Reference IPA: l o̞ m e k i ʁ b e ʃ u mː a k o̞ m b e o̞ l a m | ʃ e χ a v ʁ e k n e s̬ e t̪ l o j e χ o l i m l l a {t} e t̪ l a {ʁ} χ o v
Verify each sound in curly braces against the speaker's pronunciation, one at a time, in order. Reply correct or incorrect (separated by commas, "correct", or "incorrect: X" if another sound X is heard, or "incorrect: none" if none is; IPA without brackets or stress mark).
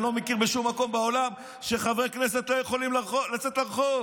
incorrect: t͡s, correct